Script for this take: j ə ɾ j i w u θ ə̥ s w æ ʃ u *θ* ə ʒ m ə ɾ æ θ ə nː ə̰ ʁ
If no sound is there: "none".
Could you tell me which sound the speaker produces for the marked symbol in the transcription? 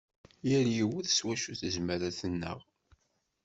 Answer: θ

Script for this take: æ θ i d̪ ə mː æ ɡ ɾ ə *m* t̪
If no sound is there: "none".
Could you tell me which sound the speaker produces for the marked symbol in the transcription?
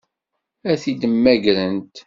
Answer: n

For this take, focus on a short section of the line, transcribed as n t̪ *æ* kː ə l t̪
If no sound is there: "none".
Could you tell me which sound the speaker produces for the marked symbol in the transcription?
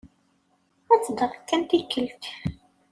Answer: i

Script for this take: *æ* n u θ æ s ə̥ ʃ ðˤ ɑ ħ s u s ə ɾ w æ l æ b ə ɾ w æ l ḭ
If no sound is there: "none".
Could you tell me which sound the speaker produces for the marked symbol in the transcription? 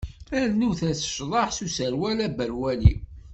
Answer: æ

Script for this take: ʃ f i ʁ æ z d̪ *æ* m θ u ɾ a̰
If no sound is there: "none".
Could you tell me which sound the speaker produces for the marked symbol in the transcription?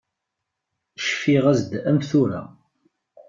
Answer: æ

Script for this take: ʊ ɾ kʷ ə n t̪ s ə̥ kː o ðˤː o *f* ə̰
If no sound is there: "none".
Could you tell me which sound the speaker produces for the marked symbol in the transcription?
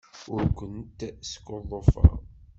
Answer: f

